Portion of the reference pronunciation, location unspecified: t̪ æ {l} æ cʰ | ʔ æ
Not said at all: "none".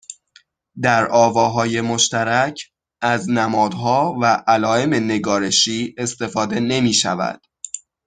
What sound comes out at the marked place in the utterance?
ɾ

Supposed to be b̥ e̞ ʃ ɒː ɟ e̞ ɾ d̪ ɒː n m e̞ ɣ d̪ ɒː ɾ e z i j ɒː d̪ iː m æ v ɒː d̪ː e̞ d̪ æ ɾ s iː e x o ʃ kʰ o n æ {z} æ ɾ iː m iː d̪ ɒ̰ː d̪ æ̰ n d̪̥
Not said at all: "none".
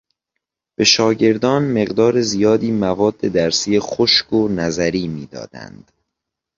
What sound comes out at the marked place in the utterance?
z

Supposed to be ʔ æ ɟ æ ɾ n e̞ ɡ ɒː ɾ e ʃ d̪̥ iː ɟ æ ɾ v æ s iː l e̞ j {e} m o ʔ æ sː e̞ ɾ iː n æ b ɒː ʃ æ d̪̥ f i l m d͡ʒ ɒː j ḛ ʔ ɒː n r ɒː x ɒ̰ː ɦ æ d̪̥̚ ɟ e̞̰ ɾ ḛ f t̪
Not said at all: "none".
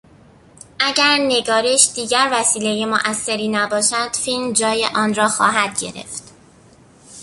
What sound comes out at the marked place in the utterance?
e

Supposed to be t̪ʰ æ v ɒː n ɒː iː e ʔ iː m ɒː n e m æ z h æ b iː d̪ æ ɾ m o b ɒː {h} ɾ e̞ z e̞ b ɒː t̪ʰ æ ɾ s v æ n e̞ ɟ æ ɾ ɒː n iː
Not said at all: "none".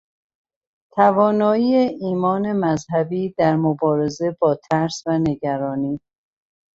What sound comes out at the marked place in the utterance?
none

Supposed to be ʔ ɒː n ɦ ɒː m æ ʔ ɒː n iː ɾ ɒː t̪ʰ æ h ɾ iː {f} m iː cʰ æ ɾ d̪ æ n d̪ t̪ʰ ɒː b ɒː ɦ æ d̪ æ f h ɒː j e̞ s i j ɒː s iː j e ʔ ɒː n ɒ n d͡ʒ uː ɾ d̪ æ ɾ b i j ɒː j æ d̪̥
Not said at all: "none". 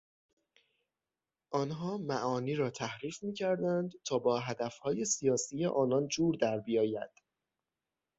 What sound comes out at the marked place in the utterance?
f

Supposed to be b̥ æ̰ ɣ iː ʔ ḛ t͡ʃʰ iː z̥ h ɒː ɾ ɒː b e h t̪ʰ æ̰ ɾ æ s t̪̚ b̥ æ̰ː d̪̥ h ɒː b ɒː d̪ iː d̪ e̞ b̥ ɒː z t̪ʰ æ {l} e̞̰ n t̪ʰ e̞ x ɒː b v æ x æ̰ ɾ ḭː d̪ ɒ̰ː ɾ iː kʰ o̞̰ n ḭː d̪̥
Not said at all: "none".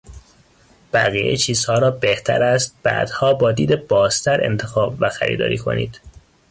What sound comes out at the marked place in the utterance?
ɾ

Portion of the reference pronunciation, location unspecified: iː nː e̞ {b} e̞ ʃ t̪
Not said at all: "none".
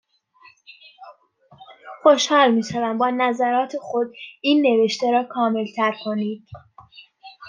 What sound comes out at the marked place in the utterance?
v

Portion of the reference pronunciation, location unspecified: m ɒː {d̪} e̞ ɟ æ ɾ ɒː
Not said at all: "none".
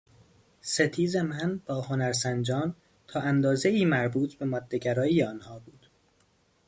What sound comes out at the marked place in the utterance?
d̪ː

